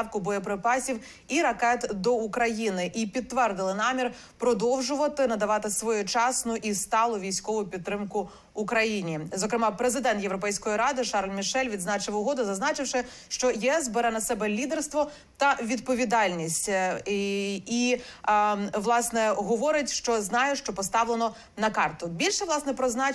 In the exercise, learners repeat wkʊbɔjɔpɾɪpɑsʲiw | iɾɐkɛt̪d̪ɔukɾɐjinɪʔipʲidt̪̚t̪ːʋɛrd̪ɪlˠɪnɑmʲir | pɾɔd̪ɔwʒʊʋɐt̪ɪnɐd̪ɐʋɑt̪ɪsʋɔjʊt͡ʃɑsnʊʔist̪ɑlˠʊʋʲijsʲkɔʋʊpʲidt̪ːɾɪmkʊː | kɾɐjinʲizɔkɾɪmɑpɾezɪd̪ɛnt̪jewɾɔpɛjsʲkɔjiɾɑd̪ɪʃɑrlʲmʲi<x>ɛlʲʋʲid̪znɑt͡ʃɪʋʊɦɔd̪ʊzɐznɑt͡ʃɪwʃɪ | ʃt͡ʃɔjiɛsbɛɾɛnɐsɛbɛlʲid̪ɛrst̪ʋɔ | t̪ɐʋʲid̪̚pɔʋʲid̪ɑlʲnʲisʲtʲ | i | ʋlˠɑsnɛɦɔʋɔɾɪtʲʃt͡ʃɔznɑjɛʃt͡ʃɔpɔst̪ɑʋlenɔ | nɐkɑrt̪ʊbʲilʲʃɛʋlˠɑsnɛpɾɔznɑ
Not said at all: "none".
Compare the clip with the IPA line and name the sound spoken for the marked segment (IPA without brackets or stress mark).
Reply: ʃ